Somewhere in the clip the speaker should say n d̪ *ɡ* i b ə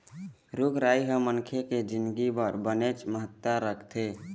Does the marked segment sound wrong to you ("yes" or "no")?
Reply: no